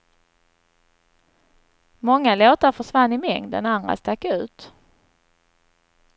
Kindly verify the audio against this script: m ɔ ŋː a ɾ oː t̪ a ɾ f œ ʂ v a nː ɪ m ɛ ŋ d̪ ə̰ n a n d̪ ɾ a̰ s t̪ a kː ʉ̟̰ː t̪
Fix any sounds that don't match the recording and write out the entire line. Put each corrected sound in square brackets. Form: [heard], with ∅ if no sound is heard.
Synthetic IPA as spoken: m ɔ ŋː a [l] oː t̪ a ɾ f œ ʂ v a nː ɪ m ɛ ŋ d̪ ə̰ n a n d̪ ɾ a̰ s t̪ a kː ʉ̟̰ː t̪